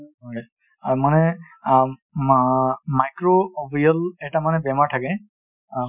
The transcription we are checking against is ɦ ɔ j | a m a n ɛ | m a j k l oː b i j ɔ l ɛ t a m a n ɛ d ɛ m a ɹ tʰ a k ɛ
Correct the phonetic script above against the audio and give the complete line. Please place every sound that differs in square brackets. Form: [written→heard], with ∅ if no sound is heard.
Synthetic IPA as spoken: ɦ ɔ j | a m a n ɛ | m a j k [l→ɹ] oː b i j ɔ l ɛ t a m a n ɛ [d→b] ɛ m a ɹ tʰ a k ɛ